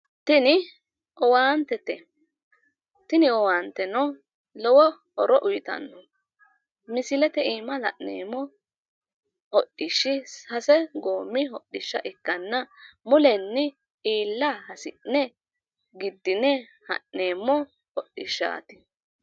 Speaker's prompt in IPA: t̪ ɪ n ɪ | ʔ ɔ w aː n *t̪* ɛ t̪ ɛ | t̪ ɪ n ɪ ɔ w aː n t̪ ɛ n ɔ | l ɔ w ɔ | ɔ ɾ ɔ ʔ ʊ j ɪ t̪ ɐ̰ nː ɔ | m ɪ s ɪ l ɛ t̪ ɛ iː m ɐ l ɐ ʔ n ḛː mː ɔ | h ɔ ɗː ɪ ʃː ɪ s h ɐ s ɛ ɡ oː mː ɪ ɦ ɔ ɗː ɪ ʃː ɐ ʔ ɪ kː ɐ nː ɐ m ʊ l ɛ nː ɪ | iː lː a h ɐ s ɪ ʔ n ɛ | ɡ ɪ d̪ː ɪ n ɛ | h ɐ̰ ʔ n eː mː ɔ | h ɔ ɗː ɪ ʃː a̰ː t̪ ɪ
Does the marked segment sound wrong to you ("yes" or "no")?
no